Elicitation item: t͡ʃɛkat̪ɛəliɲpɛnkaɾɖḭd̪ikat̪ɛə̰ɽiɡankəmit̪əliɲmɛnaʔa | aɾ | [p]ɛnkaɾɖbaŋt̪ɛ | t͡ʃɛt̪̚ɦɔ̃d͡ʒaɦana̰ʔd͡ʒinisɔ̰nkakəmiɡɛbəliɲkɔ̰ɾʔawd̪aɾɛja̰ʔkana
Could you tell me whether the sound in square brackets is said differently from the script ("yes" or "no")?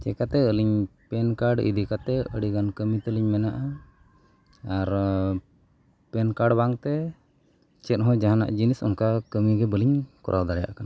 no